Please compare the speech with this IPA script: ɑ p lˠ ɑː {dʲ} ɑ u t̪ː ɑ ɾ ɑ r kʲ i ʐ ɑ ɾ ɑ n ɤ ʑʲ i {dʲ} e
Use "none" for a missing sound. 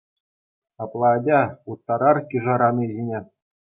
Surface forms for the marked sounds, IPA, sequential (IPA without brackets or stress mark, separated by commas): dʲ, nʲ